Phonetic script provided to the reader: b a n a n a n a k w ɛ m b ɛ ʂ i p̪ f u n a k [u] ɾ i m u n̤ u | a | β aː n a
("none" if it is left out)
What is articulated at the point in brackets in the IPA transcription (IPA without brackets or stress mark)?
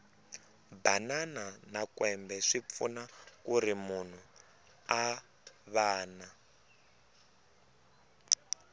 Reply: u